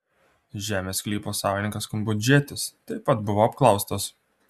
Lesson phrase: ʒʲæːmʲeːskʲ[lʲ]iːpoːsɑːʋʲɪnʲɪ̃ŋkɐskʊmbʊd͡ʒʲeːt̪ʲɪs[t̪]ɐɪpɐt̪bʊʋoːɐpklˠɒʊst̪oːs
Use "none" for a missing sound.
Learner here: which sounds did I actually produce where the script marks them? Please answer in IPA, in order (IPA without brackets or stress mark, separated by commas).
lʲ, t̪